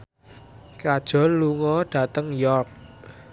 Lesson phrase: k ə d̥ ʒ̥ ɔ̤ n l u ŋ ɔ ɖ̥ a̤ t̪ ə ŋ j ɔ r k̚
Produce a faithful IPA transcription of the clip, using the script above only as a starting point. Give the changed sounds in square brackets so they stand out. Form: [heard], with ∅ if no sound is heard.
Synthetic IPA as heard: k [a] d̥ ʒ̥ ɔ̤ n l u ŋ ɔ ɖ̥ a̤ t̪ ə ŋ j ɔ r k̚